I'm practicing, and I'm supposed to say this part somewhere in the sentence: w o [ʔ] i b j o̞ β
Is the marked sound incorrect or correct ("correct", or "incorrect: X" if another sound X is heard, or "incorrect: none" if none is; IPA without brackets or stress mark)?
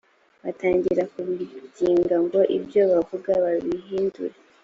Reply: correct